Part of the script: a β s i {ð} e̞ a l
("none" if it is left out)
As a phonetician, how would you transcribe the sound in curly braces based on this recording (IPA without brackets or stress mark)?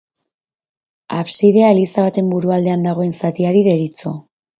ð